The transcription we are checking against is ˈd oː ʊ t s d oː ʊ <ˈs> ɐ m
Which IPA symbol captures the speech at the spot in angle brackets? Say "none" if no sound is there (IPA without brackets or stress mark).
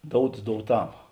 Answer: t